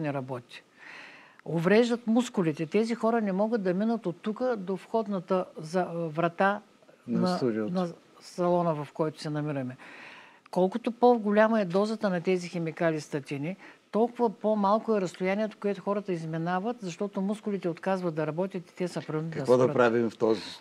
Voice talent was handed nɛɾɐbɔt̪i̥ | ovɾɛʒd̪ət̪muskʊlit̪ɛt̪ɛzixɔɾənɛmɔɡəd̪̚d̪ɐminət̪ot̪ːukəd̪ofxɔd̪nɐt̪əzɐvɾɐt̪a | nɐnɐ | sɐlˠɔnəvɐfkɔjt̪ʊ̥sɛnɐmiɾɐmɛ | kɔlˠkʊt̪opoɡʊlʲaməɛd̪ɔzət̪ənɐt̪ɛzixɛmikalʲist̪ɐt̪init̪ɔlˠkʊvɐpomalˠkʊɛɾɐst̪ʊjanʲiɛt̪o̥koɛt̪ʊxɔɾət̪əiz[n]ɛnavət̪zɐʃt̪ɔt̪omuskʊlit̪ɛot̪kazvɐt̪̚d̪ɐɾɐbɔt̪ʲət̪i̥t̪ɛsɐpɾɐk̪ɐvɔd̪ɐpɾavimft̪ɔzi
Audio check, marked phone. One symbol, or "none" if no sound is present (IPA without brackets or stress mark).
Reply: m